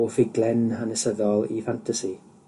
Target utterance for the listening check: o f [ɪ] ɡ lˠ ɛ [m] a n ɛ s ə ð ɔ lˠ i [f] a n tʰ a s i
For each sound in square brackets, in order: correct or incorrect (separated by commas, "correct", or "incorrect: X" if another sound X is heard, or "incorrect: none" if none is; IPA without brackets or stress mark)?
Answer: correct, incorrect: n, correct